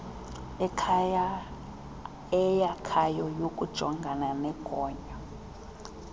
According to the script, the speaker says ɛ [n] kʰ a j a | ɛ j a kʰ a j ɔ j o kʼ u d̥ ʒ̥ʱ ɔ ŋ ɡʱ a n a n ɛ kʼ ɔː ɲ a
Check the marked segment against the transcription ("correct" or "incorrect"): incorrect